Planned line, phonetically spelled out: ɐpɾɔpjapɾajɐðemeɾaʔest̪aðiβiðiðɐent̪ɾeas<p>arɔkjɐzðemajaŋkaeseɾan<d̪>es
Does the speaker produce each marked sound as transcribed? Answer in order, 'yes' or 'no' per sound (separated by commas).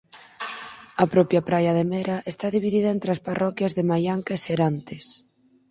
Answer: yes, no